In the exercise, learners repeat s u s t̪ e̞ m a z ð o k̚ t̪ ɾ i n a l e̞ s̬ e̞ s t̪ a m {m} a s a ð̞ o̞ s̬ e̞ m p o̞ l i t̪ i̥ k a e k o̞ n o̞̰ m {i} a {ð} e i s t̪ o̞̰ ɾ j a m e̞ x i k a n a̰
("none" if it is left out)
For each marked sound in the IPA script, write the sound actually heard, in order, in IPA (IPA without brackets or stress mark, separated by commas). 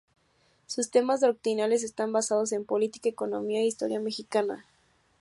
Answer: b, i, none